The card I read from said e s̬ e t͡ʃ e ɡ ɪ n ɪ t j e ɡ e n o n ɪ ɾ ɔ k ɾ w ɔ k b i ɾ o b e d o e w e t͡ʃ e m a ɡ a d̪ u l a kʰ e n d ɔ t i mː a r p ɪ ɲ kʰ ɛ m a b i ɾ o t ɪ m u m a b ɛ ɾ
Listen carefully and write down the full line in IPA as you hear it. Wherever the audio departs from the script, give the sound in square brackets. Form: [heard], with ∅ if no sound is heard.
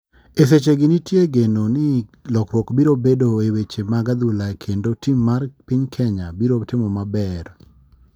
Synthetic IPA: e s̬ e t͡ʃ e ɡ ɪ n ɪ t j e ɡ e n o n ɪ [l] ɔ k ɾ w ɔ k b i ɾ o b e d o e w e t͡ʃ e m a ɡ a d̪ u l a kʰ e n d [o] t i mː a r p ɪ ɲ kʰ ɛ [ɲ] a b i ɾ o t ɪ m [ɔ] m a b ɛ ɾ